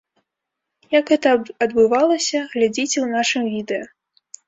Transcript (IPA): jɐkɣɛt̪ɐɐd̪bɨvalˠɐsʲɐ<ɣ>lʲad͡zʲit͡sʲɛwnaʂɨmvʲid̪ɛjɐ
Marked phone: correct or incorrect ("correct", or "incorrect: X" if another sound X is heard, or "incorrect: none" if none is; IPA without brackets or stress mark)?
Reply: correct